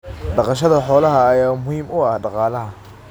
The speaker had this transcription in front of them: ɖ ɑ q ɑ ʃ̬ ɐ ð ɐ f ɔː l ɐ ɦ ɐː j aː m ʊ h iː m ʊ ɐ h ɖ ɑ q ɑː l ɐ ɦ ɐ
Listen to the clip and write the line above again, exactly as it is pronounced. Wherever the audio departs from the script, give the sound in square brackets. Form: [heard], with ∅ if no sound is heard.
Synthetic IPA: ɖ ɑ q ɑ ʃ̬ ɐ ð ɐ [ħ] ɔː l ɐ ɦ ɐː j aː m ʊ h iː m ʊ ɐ h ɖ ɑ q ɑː l ɐ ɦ ɐ